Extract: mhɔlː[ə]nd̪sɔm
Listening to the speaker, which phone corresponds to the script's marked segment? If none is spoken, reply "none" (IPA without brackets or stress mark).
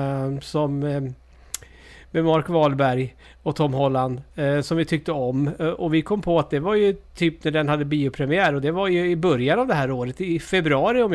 a